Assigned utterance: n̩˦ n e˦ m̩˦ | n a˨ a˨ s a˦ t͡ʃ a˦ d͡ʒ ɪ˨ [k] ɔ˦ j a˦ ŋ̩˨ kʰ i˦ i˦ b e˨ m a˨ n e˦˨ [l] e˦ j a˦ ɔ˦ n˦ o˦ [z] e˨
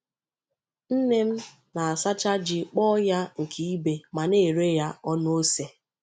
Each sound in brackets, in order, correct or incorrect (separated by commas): incorrect, incorrect, incorrect